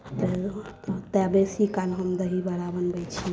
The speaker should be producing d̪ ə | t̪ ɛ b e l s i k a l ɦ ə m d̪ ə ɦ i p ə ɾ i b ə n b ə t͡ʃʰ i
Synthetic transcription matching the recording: t̪ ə | t̪ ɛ b e s i k a l ɦ ə m d̪ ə ɦ i b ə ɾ a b ə n b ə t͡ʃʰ i